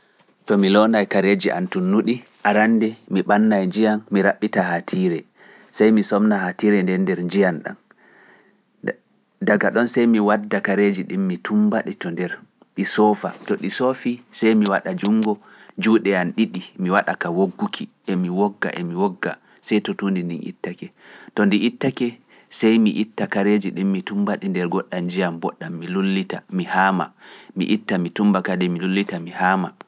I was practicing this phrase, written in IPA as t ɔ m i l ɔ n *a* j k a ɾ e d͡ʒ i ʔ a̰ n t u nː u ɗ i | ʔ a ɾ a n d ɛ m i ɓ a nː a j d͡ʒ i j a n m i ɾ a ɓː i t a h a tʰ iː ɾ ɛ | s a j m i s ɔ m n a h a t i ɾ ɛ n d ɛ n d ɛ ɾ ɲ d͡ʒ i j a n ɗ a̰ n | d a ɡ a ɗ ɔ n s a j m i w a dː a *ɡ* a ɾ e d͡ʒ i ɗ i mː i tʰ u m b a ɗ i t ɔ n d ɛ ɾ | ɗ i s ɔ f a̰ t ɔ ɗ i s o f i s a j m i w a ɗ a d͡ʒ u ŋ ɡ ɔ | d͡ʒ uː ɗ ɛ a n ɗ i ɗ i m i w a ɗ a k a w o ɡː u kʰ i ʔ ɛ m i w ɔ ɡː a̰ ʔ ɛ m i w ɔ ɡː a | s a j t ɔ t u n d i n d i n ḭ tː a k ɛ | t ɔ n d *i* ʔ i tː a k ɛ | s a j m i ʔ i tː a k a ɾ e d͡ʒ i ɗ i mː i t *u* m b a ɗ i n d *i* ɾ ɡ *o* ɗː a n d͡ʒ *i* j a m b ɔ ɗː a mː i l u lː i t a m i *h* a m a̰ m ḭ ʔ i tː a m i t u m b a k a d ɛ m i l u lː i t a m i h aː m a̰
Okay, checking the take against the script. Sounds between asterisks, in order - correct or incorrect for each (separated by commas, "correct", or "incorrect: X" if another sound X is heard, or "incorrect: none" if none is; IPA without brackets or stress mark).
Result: correct, incorrect: k, correct, correct, incorrect: ɛ, incorrect: ɔ, correct, correct